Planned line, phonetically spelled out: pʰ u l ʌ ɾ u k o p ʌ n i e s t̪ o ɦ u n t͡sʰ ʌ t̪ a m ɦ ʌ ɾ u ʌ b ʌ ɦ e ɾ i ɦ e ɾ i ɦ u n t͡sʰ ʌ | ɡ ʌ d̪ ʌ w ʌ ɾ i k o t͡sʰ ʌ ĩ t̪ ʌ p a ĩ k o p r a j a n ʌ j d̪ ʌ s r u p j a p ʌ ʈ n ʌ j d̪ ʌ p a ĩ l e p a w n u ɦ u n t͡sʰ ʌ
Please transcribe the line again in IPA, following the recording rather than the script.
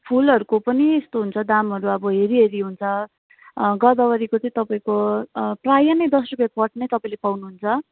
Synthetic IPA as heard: pʰ u l ʌ ɾ u k o p ʌ n i e s t̪ o ɦ u n t͡sʰ ʌ d̪ a m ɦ ʌ ɾ u ʌ b ʌ ɦ e ɾ i ɦ e ɾ i ɦ u n t͡sʰ ʌ | ɡ ʌ d̪ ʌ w ʌ ɾ i k o t͡s ʌ ĩ t̪ ʌ p a ĩ k o p r a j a n ʌ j d̪ ʌ s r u p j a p ʌ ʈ n ʌ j t̪ ʌ p a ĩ l e p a w n u ɦ u n t͡sʰ ʌ